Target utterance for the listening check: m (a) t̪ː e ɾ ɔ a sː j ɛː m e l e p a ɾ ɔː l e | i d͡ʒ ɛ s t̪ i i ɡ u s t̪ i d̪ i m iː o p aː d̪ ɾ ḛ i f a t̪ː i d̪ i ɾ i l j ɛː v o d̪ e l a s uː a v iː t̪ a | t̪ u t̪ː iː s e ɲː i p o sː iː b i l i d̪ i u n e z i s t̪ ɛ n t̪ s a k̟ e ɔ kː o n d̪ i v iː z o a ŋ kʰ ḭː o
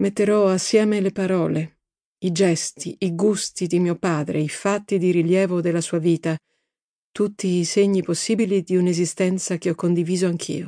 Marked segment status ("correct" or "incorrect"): incorrect